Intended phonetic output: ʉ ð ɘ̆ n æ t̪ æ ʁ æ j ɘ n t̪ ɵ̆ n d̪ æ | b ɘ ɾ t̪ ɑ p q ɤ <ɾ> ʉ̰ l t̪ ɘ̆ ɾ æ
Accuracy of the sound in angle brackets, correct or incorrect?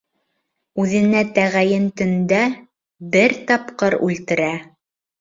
correct